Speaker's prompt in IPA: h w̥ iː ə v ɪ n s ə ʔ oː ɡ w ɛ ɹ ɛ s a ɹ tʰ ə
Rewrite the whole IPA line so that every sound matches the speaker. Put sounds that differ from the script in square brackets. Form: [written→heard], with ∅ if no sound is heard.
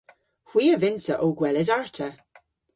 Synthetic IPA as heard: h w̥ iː ə v ɪ n s ə ʔ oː ɡ w ɛ [ɹ→l] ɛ [s→z] a ɹ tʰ ə